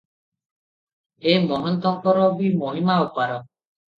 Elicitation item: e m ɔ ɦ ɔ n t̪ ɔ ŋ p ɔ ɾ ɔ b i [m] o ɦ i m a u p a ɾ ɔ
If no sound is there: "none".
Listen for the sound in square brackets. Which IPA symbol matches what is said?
m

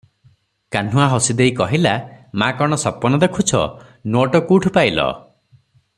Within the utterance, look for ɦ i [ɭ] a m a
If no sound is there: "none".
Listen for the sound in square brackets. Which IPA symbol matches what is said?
l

